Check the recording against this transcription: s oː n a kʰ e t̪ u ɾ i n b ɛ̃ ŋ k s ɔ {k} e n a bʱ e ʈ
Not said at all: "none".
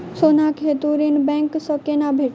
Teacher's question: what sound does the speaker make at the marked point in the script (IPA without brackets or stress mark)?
k